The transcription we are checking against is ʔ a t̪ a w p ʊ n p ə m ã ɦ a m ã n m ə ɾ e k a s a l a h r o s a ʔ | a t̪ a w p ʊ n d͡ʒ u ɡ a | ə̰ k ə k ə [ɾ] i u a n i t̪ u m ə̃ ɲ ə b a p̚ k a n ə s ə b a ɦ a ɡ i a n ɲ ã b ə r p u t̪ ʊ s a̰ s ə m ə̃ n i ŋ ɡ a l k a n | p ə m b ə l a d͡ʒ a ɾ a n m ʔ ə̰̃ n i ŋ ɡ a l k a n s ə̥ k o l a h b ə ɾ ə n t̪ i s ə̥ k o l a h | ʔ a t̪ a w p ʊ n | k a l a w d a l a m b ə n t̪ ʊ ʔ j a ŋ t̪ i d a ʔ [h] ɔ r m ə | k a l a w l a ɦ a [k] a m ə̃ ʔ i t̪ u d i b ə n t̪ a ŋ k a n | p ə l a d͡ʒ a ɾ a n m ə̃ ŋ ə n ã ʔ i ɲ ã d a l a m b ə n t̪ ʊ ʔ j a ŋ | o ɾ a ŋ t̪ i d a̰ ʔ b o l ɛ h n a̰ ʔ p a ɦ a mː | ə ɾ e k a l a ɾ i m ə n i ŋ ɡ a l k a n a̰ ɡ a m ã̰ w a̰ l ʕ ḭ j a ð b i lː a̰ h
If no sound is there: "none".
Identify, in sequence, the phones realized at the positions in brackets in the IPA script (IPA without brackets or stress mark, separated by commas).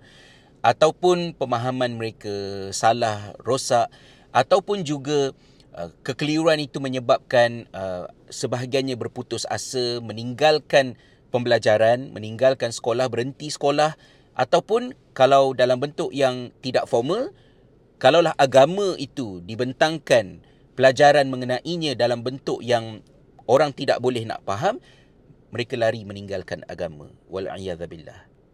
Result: l, f, ɡ